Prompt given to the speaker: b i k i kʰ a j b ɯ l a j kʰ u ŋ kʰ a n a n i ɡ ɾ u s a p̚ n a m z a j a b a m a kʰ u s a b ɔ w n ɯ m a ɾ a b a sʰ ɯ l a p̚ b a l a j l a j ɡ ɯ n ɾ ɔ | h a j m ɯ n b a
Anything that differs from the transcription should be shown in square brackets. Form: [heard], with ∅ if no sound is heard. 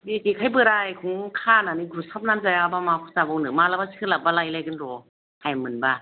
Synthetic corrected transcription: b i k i kʰ a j b ɯ [ɾ] a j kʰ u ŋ kʰ a n a n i ɡ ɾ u s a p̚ n a m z a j a b a m a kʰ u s a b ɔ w n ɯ m a [l] a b a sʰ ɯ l a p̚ b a l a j l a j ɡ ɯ n ɾ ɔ | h a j m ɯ n b a